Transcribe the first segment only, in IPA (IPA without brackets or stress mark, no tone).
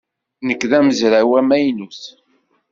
n